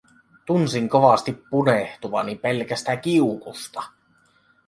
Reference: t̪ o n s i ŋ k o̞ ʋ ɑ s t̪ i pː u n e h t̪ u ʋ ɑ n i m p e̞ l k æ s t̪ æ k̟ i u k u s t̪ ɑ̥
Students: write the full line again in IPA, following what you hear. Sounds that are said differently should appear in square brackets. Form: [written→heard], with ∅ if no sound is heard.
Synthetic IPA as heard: t̪ [o→u] n s i ŋ k o̞ ʋ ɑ s t̪ i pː u n e h t̪ u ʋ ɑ n i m p e̞ l k æ s t̪ æ k̟ i u k u s t̪ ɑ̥